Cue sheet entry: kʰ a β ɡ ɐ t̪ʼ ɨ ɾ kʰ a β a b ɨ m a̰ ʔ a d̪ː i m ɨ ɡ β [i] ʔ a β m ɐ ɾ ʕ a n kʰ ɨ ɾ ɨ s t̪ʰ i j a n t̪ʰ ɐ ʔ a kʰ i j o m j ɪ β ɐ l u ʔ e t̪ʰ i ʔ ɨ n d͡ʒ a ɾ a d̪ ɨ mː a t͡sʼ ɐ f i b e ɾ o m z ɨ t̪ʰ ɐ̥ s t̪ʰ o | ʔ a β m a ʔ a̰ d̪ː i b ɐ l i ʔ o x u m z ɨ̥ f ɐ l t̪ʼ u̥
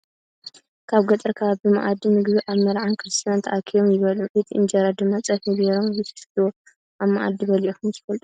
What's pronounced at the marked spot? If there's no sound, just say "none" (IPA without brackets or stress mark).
i